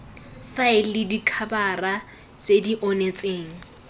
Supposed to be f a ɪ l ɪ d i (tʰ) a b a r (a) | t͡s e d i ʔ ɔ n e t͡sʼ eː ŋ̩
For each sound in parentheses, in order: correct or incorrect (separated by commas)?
incorrect, correct